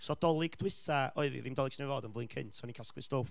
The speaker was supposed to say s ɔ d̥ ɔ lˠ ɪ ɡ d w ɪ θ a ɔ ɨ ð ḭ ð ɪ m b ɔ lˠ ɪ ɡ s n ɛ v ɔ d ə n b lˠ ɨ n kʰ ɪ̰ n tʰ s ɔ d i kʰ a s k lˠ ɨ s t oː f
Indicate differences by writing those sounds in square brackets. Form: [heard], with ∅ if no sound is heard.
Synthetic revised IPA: s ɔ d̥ ɔ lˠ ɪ ɡ d w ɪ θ a ɔ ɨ ð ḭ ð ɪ m [d] ɔ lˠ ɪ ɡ s n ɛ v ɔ d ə n [v] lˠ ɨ n kʰ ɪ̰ n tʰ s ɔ [n] i kʰ a s k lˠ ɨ s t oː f